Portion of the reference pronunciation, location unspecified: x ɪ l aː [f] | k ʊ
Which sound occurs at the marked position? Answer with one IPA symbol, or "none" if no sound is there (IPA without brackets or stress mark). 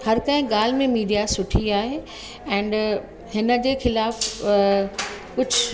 f